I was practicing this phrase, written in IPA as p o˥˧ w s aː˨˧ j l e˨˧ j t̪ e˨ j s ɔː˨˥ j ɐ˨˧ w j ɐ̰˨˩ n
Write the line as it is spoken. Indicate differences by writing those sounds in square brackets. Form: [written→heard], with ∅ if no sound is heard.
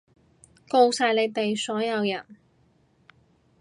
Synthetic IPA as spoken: [p→k] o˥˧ w s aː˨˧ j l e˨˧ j t̪ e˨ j s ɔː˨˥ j ɐ˨˧ w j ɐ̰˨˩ n